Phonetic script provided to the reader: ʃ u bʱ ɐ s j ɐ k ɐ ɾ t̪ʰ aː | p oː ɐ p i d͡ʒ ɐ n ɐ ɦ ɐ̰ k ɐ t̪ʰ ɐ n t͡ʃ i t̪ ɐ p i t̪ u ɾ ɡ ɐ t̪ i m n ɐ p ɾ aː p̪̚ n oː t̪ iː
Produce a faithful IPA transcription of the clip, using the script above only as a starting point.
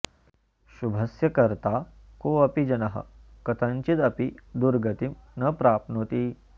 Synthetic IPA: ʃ u bʱ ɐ s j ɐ k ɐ ɾ t̪ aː | k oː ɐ p i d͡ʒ ɐ n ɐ ɦ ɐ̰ k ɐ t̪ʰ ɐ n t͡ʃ i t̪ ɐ p i d̪ u ɾ ɡ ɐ t̪ i m n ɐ p ɾ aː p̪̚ n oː t̪ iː